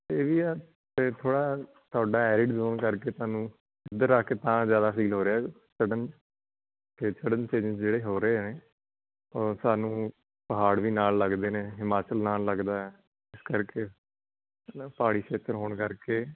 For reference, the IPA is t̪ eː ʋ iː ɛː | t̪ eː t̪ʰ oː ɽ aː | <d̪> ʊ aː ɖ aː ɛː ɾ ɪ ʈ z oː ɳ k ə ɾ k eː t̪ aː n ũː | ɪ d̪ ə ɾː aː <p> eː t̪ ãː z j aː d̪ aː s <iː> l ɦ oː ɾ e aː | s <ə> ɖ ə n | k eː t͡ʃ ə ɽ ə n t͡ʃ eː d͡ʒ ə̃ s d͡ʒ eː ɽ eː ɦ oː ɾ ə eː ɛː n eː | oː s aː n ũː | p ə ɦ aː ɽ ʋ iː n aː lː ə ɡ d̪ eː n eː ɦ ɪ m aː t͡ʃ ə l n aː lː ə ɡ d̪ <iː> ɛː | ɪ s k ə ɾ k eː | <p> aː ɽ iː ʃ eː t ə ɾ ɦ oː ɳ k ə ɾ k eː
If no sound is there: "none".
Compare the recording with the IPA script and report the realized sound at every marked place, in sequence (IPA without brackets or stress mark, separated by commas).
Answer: t̪, k, iː, ə, aː, p